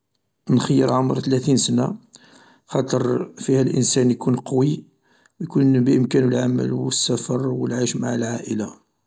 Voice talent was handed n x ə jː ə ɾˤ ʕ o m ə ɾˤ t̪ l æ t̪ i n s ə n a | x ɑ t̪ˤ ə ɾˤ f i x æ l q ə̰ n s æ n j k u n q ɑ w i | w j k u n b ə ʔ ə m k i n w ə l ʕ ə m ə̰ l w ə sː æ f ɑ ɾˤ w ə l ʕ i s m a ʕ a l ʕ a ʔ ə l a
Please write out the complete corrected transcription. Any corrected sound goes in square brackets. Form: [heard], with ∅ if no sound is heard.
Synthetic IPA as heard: n x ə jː ə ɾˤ ʕ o m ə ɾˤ t̪ l æ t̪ i n s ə n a | x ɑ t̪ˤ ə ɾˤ f i [h] æ l [ʔ] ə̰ n s æ n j k u n q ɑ w i | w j k u n b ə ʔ ə m k [æ] n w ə l ʕ [a] m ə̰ l w ə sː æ f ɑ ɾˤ w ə l ʕ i [ʃ] m a ʕ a l ʕ a ʔ ə l a